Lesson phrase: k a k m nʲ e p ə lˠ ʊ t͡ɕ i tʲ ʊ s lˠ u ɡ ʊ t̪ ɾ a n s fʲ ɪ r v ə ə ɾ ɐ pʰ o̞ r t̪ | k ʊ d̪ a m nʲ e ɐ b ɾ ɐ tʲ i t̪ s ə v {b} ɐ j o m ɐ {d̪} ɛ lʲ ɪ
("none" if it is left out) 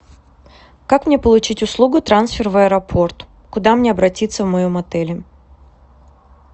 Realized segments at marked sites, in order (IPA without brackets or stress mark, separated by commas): m, t̪